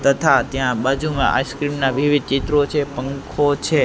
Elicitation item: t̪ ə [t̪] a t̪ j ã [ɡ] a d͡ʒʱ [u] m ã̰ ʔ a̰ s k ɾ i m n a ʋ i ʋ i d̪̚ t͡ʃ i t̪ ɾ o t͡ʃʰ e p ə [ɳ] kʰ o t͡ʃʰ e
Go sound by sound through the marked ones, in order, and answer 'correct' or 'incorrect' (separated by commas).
incorrect, incorrect, correct, incorrect